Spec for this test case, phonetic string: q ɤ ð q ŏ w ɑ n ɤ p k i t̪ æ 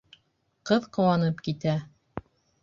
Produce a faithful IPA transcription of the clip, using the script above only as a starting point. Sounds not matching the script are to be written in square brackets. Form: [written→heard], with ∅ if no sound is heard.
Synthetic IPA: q ɤ ð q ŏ w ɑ n ɤ p k i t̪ æ

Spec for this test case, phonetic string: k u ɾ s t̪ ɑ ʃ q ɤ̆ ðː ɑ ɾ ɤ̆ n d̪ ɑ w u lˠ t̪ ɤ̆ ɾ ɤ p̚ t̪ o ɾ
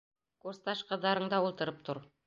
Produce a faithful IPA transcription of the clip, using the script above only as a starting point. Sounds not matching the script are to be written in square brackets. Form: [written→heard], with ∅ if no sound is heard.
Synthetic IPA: k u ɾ s t̪ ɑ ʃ q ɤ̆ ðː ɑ ɾ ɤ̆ [n→ɴ] d̪ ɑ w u lˠ t̪ ɤ̆ ɾ ɤ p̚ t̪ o ɾ

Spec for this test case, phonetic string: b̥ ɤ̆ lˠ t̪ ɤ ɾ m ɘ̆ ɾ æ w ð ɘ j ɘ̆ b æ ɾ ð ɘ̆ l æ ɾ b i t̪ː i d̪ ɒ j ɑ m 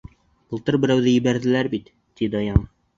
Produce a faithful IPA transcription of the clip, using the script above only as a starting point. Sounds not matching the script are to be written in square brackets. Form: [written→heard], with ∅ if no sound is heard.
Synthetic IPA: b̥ ɤ̆ lˠ t̪ ɤ ɾ [m→b] ɘ̆ ɾ æ w ð ɘ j ɘ̆ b æ ɾ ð ɘ̆ l æ ɾ b i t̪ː i d̪ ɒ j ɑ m

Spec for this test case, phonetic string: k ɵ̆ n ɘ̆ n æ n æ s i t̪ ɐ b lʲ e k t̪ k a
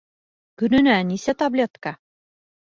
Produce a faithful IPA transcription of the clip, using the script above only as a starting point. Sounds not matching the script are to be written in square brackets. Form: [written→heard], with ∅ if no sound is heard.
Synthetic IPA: k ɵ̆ n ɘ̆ n æ n [æ→i] s [i→æ] t̪ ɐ b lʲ e [k→∅] t̪ k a

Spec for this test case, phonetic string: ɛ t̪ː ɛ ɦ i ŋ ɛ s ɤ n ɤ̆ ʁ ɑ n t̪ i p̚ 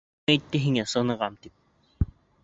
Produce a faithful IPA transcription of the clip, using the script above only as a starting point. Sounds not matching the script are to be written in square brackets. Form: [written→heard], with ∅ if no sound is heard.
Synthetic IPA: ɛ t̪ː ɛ ɦ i ŋ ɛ s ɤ n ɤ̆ ʁ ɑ [n→m] t̪ i p̚

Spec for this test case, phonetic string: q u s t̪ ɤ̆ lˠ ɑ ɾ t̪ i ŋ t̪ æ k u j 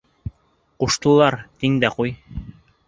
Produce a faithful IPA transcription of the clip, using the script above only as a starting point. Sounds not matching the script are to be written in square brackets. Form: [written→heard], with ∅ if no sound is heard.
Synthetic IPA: q u [s→ʃ] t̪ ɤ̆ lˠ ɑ ɾ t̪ i ŋ [t̪→d̪] æ [k→q] u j

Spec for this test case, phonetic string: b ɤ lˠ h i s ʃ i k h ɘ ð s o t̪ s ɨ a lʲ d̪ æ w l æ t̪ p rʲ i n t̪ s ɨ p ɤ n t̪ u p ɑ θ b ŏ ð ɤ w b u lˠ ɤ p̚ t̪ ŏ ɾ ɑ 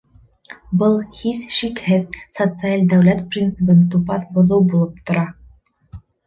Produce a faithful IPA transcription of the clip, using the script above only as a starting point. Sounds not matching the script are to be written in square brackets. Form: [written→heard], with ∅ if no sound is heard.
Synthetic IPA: b ɤ lˠ h i s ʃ i k h ɘ ð s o t̪ s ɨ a lʲ d̪ æ w l æ t̪ p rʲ i n t̪ s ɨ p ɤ n t̪ u p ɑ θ b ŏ ð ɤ w b u lˠ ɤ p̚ t̪ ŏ ɾ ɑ

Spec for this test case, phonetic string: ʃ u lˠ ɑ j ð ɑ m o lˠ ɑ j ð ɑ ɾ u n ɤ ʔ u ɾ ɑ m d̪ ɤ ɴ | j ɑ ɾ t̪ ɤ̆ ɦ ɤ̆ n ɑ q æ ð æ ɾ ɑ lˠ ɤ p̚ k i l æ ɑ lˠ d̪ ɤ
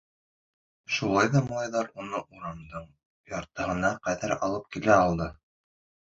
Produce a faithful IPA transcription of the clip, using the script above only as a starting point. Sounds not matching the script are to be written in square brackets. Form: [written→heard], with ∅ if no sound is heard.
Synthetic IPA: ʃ u lˠ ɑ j ð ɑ m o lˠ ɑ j ð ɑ ɾ u n ɤ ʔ u ɾ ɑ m d̪ ɤ ɴ | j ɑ ɾ t̪ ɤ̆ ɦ ɤ̆ n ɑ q æ ð æ ɾ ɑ lˠ ɤ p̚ k i l æ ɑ lˠ d̪ ɤ

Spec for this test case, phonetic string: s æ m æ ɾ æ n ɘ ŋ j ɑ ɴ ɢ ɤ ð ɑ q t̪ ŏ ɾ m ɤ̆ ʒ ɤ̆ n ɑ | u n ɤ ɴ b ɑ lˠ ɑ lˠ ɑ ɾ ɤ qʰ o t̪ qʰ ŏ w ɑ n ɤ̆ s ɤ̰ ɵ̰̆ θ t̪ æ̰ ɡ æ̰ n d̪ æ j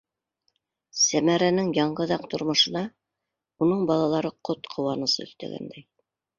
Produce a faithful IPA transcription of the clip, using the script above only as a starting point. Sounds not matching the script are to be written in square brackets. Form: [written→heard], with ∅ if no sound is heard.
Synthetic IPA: s æ m æ ɾ æ n ɘ ŋ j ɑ ɴ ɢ ɤ ð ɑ q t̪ ŏ ɾ m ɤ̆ [ʒ→ʃ] ɤ̆ n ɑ | u n ɤ ɴ b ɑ lˠ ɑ lˠ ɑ ɾ ɤ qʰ o t̪ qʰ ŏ w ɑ n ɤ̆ s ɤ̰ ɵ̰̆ θ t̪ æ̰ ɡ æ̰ n d̪ æ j

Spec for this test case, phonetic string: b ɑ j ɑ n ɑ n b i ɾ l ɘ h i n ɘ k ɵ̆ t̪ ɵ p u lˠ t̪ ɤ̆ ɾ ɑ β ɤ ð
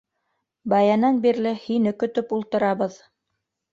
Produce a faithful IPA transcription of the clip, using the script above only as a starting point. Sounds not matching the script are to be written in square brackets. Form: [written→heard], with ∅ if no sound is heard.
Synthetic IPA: b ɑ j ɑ n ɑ n b i ɾ l ɘ h i n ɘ k ɵ̆ t̪ ɵ p u lˠ t̪ ɤ̆ ɾ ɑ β ɤ ð

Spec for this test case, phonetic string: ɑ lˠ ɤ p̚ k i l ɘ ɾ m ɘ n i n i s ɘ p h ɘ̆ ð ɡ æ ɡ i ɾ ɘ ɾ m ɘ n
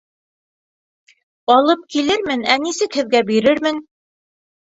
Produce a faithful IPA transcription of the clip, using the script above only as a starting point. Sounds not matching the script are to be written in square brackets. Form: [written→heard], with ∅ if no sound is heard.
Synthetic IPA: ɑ lˠ ɤ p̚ k i l ɘ ɾ m ɘ n [i→æ] n i s ɘ [p→k] h ɘ̆ ð ɡ æ [ɡ→b] i ɾ ɘ ɾ m ɘ n

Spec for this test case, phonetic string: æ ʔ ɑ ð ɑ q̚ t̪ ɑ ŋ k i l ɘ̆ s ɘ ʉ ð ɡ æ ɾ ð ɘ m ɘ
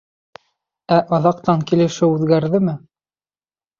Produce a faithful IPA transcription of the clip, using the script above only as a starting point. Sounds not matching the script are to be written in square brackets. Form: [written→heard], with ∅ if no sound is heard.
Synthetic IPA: æ ʔ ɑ ð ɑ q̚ t̪ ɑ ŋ k i l ɘ̆ [s→ʃ] ɘ ʉ ð ɡ æ ɾ ð ɘ m ɘ

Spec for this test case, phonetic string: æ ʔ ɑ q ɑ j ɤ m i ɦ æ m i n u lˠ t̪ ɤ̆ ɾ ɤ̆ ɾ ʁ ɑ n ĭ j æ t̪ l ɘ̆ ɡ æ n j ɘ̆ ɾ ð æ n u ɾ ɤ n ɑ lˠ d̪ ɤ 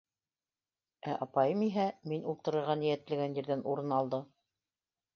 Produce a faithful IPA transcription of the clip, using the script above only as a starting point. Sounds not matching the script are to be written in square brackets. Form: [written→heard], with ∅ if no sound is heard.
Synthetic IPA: æ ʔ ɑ [q→p] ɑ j ɤ m i ɦ æ m i n u lˠ t̪ ɤ̆ ɾ ɤ̆ ɾ ʁ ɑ n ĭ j æ t̪ l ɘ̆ ɡ æ n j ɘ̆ ɾ ð æ n u ɾ ɤ n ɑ lˠ d̪ ɤ

